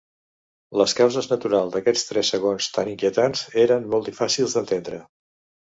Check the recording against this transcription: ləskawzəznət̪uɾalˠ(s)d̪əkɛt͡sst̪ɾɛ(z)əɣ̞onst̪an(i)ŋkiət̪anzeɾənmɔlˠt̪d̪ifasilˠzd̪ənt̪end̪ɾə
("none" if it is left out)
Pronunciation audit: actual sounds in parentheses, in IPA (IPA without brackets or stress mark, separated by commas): z, s, i